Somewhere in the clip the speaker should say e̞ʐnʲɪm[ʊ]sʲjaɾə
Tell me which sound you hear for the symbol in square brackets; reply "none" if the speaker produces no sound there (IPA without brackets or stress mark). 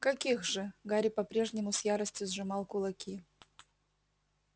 ʊ